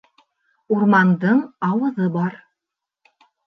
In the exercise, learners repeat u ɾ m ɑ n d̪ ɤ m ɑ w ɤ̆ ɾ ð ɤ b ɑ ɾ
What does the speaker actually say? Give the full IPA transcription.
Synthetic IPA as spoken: u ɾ m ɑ n d̪ ɤ ɴ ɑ w ɤ̆ ð ɤ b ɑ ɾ